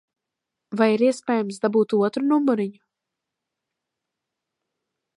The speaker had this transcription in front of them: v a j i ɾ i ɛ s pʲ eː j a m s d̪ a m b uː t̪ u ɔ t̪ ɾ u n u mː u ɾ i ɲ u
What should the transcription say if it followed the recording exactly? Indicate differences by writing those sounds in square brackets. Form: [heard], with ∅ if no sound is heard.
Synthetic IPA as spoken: v a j i ɾ i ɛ s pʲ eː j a m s d̪ a [∅] b uː t̪ u ɔ t̪ ɾ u n u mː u ɾ i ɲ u